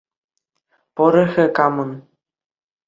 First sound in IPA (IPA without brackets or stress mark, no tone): p